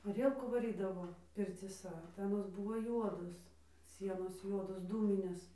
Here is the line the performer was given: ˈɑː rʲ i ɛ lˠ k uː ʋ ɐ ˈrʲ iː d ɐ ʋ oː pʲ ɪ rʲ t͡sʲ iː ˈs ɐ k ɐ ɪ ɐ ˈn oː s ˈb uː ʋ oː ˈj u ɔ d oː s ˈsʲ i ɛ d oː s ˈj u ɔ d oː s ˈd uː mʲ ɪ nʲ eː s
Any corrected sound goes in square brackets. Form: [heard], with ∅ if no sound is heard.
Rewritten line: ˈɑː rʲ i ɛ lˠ k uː ʋ ɐ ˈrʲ iː d ɐ ʋ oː pʲ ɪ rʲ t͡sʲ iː ˈs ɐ [t] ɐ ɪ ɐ ˈn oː s ˈb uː ʋ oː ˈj u ɔ d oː s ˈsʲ i ɛ [n] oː s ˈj u ɔ d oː s ˈd uː mʲ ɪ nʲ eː s